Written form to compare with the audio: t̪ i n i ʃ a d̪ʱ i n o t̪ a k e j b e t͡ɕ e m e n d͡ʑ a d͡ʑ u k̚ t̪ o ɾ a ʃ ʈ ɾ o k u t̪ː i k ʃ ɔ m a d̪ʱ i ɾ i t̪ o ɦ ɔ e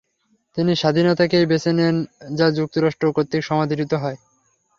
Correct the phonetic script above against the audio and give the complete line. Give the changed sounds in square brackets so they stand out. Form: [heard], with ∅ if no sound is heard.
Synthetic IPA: t̪ i n i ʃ a d̪ʱ i n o t̪ a k e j b e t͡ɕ e [n] e n d͡ʑ a d͡ʑ u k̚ t̪ o ɾ a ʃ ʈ ɾ o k [o] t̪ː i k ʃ ɔ m a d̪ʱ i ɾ i t̪ o ɦ ɔ e

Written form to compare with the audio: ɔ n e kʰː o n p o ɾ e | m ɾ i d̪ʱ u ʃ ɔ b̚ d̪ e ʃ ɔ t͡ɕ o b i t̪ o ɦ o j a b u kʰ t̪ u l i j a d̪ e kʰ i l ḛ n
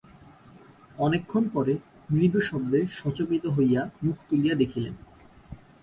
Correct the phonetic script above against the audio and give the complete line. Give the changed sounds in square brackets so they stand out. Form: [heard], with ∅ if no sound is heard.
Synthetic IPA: ɔ n e kʰː o n p [ɔ] ɾ e | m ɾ i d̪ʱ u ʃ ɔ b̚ d̪ e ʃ ɔ t͡ɕ o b i t̪ o ɦ o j a [m] u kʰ t̪ u l i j a d̪ e kʰ i l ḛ n

